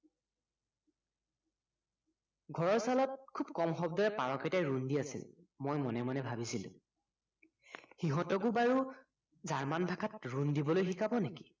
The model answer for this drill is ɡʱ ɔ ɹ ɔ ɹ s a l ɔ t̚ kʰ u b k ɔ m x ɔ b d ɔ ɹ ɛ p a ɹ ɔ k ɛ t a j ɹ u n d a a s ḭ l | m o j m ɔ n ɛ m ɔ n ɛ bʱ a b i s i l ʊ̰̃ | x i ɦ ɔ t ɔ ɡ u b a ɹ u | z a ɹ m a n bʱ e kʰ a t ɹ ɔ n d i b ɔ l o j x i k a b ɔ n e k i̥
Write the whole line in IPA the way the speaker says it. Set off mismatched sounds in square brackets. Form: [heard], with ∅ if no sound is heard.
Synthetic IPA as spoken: ɡʱ ɔ ɹ ɔ ɹ s a l ɔ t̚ kʰ u b k ɔ m x ɔ b d ɔ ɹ ɛ p a ɹ ɔ k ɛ t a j ɹ u n d [i] a s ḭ l | m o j m ɔ n ɛ m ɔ n ɛ bʱ a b i s i l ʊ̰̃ | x i ɦ ɔ t ɔ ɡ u b a ɹ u | z a ɹ m a n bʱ [a] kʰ a t ɹ [u] n d i b ɔ l o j x i k a b ɔ n e k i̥